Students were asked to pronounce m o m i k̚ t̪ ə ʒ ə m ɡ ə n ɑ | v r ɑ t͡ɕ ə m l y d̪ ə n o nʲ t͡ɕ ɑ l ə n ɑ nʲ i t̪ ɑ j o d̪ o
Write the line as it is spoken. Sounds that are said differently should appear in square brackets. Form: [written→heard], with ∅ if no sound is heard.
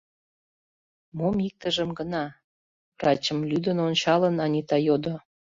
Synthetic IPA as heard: m o m i k̚ t̪ ə ʒ ə m ɡ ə n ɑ | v r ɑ t͡ɕ ə m l y d̪ ə n o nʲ t͡ɕ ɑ l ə n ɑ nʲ i t̪ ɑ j o d̪ o